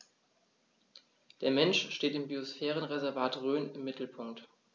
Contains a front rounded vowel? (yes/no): yes